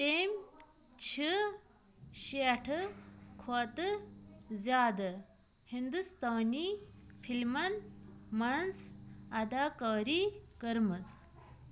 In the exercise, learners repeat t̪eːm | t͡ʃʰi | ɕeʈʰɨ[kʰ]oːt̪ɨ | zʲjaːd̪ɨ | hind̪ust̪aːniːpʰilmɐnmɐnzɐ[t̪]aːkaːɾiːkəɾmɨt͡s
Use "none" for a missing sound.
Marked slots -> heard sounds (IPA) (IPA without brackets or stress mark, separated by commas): kʰ, d̪